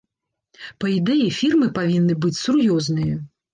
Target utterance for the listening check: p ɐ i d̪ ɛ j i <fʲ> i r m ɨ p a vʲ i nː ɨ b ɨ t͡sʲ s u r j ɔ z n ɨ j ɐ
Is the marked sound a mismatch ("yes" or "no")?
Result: no